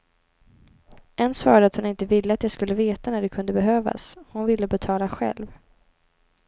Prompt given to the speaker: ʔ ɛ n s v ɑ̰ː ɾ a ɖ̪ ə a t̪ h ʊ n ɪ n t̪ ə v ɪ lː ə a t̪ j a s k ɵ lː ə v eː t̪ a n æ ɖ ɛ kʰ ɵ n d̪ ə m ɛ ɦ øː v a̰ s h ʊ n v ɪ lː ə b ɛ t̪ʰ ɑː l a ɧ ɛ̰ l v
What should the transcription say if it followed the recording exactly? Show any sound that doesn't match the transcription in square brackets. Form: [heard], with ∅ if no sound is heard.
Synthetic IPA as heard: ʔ ɛ n s v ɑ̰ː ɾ a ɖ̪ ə a t̪ h ʊ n ɪ n t̪ ə v ɪ lː ə a t̪ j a s k ɵ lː ə v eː t̪ a n æ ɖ ɛ kʰ ɵ n d̪ ə [b] ɛ ɦ øː v a̰ s h ʊ n v ɪ lː ə b ɛ t̪ʰ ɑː l a ɧ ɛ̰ l v